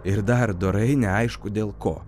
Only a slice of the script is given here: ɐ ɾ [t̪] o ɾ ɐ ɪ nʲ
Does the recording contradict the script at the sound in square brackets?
yes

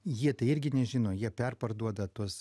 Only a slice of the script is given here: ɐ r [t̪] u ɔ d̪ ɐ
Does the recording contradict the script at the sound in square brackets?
yes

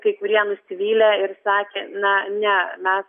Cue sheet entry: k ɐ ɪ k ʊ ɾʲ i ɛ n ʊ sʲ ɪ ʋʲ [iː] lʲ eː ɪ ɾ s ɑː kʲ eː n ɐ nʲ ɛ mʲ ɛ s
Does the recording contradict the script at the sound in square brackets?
no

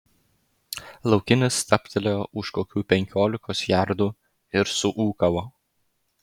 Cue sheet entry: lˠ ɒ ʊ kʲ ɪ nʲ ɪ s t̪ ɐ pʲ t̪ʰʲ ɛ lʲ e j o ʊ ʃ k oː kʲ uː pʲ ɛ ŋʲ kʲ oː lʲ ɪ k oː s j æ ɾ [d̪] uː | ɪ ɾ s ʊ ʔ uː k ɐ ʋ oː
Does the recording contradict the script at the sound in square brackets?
no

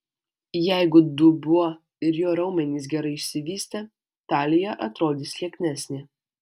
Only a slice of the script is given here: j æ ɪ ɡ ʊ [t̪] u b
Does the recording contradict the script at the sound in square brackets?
yes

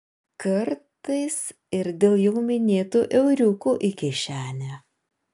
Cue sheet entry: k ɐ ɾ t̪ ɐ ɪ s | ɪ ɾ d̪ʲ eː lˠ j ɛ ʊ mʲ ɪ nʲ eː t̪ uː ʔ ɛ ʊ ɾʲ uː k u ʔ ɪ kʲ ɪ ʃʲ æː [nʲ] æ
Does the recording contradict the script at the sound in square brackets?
no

